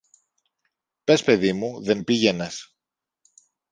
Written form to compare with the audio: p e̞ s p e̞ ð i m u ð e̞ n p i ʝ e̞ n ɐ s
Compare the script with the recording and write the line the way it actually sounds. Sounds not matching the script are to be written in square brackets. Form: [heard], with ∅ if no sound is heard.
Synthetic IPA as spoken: p e̞ s p e̞ ð i m u ð e̞ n p i ʝ e̞ n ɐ s